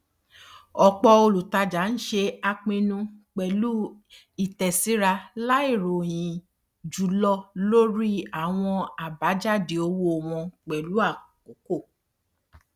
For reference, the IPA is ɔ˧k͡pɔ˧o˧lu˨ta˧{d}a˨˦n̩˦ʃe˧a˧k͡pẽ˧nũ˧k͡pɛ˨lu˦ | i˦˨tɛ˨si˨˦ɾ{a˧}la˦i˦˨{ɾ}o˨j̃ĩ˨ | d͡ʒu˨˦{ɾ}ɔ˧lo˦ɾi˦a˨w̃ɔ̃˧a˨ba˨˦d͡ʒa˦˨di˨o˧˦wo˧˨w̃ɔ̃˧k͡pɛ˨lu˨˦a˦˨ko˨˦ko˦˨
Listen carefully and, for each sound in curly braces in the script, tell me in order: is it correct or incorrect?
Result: incorrect: d͡ʒ, correct, correct, incorrect: l

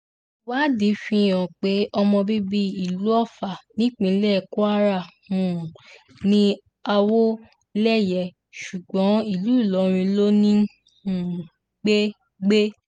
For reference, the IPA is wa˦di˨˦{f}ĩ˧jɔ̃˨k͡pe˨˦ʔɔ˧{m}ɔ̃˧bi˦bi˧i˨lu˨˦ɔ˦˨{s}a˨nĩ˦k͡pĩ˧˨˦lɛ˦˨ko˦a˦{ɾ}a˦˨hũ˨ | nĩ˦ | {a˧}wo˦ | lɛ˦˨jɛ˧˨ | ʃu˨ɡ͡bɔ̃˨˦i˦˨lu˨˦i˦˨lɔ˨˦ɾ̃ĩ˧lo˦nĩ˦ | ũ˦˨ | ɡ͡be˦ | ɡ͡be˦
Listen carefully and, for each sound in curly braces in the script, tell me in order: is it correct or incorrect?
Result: correct, correct, incorrect: f, correct, correct

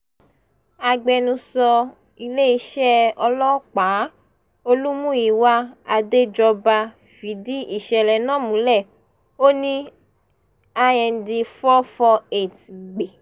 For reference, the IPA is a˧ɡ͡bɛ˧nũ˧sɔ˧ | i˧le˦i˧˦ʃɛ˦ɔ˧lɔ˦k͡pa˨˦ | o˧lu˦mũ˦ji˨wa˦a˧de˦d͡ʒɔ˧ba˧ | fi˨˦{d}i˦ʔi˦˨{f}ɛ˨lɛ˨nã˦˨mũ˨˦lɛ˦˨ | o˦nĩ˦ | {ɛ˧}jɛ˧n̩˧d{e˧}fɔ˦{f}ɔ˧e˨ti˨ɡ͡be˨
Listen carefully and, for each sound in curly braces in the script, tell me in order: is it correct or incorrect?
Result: correct, incorrect: ʃ, incorrect: a˧, incorrect: i˧, correct

